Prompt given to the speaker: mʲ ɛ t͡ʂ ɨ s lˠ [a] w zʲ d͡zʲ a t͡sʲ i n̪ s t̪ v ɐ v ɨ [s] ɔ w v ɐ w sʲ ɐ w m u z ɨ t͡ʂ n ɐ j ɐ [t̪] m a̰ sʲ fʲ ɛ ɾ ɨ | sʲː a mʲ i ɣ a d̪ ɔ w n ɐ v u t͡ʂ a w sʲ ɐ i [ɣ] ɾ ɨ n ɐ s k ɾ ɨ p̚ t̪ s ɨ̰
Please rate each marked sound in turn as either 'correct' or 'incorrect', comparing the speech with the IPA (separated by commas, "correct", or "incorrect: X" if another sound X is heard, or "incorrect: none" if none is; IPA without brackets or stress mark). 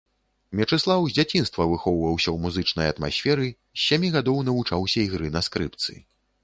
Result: correct, incorrect: x, correct, correct